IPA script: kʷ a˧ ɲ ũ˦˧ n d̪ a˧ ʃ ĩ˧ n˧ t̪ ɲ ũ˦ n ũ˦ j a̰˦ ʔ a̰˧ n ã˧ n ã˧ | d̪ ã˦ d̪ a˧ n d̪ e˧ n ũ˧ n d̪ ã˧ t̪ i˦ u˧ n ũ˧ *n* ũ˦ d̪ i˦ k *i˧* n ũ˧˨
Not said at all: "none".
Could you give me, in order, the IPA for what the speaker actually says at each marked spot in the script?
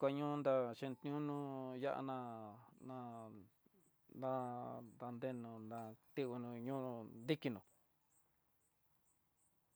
ɲ, i˧

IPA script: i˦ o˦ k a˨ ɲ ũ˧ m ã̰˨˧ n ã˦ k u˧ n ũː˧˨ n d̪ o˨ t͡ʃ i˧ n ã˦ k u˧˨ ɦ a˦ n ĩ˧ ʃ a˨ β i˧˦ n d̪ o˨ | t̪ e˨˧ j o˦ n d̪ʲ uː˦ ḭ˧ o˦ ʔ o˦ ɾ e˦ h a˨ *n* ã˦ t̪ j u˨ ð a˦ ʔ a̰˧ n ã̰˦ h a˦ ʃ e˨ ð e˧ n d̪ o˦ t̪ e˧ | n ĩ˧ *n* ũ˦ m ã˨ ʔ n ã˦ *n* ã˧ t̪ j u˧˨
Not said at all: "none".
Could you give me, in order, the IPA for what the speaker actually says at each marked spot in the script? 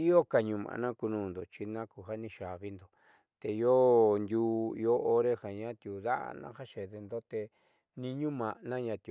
ɲ, ɲ, ɲ

